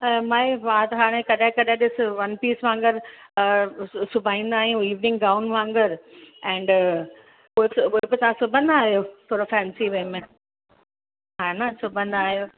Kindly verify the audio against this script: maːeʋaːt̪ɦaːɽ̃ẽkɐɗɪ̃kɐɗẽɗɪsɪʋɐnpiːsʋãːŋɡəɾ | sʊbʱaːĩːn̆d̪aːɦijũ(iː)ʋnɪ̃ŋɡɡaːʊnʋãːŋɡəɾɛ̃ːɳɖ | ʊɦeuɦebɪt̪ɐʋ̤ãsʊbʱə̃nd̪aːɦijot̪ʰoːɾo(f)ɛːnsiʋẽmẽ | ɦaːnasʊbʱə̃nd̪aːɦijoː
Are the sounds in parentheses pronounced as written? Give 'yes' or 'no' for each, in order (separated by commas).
yes, yes